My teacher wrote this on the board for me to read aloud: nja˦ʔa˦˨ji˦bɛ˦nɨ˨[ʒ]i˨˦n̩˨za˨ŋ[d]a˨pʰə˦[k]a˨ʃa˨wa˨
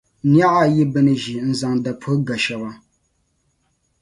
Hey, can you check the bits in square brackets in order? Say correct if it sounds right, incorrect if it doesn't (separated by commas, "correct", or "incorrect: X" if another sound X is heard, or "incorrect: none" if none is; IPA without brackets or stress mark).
correct, correct, incorrect: ɡ